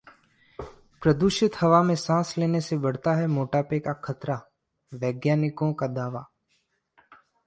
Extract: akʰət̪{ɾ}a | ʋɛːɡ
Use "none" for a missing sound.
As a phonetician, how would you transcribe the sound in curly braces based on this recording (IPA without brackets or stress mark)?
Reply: ɾ